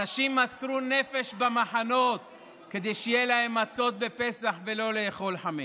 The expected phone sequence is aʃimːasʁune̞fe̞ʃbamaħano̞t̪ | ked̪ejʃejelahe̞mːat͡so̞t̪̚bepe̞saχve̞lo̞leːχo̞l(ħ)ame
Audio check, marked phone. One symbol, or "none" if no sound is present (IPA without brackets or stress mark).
ħ